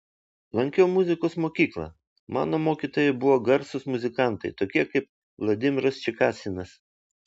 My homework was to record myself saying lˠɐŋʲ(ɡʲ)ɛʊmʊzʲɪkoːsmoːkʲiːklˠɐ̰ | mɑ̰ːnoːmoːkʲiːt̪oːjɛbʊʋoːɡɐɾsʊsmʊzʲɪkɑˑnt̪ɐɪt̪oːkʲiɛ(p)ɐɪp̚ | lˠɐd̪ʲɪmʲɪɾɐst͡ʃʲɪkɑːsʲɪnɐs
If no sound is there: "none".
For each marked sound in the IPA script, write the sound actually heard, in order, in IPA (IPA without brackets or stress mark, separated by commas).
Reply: kʲ, k